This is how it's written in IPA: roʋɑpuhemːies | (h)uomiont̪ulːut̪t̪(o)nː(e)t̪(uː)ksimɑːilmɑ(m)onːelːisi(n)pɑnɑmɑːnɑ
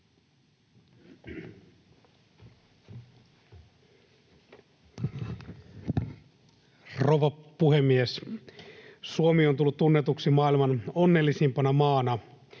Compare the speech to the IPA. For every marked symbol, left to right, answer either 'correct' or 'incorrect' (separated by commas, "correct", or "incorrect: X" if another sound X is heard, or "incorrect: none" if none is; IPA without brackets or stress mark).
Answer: incorrect: s, incorrect: u, correct, incorrect: u, incorrect: n, incorrect: m